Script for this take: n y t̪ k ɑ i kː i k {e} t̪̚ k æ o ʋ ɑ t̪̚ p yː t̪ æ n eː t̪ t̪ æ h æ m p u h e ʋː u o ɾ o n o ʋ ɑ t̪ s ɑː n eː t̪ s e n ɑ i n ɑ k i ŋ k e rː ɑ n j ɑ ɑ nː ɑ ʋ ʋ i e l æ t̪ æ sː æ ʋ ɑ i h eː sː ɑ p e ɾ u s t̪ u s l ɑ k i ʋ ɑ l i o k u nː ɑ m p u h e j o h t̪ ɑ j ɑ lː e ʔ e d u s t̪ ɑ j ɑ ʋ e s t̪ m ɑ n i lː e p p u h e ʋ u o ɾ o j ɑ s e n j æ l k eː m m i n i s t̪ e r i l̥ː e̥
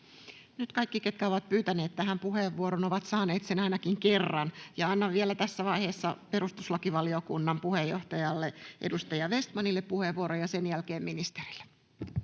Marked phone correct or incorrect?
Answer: correct